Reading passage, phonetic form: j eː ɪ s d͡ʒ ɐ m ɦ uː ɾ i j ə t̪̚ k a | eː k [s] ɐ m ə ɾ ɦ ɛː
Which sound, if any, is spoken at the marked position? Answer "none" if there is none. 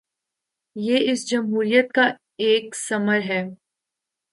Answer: s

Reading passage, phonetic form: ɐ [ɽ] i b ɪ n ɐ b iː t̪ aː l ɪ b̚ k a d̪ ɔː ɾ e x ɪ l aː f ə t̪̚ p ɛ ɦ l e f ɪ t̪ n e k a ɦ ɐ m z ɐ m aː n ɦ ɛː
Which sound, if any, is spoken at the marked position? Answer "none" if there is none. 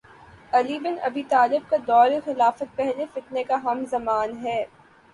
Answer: l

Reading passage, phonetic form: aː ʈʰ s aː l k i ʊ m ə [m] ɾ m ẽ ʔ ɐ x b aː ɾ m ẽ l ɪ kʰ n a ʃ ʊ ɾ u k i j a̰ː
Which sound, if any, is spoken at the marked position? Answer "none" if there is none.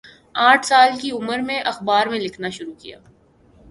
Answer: none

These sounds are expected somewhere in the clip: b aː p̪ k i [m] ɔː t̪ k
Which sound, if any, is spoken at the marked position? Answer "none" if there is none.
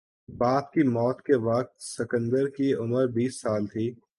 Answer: m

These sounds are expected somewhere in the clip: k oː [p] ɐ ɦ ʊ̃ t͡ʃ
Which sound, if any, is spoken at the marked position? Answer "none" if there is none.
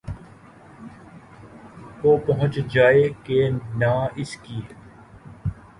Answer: p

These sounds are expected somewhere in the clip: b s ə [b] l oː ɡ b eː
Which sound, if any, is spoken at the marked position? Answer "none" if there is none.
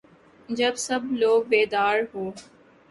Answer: b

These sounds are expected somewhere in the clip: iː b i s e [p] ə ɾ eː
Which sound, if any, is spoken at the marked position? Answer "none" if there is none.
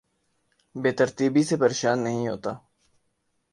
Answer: p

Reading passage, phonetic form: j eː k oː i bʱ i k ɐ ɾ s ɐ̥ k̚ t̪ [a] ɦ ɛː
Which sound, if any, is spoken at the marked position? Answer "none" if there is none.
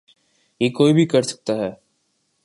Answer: a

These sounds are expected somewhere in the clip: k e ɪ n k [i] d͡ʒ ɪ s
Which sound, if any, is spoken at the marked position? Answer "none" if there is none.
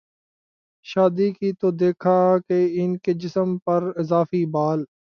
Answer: e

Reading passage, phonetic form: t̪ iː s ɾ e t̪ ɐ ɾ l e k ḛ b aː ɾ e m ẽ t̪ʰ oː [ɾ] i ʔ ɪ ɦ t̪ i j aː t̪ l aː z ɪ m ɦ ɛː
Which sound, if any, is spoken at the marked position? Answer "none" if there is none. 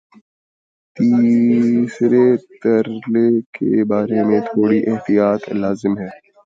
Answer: ɽ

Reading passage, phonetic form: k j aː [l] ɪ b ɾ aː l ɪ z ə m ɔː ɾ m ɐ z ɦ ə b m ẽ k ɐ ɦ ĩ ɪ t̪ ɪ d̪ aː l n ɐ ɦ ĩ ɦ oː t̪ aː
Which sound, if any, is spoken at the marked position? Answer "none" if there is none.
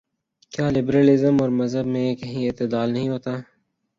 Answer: l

